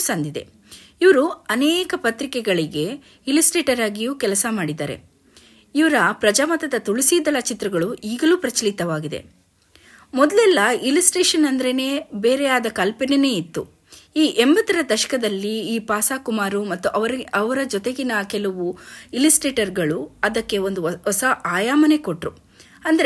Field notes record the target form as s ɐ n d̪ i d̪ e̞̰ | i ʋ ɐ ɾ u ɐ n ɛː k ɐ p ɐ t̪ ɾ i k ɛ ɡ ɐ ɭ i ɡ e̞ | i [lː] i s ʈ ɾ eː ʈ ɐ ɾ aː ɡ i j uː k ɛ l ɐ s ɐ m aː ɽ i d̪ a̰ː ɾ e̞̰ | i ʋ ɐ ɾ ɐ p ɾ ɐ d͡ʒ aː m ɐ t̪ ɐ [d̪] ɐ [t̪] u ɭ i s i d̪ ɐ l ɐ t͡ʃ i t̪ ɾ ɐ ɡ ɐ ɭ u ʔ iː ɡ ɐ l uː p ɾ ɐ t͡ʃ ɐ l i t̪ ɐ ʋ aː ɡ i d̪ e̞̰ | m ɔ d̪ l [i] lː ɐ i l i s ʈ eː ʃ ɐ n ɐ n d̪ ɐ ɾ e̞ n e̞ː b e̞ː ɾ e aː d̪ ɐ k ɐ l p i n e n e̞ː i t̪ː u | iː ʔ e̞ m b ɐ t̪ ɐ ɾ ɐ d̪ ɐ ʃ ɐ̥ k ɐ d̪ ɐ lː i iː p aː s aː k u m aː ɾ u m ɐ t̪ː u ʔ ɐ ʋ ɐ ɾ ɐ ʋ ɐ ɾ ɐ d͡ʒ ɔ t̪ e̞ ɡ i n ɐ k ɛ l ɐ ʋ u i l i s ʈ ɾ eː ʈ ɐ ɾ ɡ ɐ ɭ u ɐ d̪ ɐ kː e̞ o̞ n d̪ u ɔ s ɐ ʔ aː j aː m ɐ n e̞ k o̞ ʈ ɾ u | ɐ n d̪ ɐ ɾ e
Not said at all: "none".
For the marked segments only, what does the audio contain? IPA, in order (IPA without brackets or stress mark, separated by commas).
l, d̪, t̪, ɛ